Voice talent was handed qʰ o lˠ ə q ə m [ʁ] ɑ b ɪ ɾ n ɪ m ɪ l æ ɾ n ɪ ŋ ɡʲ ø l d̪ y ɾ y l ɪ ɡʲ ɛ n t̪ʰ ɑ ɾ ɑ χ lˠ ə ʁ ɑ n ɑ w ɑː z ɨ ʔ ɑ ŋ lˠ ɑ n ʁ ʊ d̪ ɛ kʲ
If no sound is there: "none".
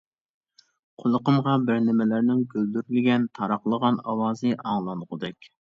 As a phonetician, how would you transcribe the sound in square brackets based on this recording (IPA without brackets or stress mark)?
ʁ